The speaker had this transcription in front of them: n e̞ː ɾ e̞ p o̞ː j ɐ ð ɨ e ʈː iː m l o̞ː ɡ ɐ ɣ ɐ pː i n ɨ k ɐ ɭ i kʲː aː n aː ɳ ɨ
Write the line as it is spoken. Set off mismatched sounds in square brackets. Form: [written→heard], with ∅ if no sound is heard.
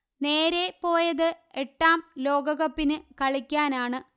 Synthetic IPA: n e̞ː ɾ e̞ p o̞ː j ɐ ð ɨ e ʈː [iː→aː] m l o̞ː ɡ ɐ ɣ ɐ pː i n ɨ k ɐ ɭ i kʲː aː n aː ɳ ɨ